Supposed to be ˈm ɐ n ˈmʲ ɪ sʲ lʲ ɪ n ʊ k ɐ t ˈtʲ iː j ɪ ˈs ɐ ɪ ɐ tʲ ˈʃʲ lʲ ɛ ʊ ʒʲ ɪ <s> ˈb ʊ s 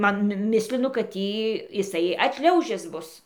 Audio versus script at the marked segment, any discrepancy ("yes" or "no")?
no